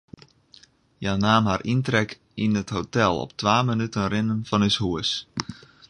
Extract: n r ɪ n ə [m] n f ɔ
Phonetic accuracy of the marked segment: incorrect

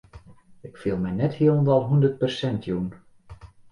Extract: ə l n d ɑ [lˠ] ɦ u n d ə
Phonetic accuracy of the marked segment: correct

